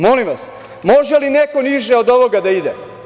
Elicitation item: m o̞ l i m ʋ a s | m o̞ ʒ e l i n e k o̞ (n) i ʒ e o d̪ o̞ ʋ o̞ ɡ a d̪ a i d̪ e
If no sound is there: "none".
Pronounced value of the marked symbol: n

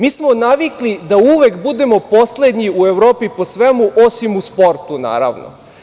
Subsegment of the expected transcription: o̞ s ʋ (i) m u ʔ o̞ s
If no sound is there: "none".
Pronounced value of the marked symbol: e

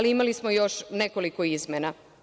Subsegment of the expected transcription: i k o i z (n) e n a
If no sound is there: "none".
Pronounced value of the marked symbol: m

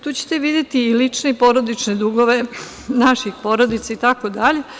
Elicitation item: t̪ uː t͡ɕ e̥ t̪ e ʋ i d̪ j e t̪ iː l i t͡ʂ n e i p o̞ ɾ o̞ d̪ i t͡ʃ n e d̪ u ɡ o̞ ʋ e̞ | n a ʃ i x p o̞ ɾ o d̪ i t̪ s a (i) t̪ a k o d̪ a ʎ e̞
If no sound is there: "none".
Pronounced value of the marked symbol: i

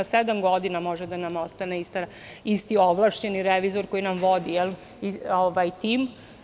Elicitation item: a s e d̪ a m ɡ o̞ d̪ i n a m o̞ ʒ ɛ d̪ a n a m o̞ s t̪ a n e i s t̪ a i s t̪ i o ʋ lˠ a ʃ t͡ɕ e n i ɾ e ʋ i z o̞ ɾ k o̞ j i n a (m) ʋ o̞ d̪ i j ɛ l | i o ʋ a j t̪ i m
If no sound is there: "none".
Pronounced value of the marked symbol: m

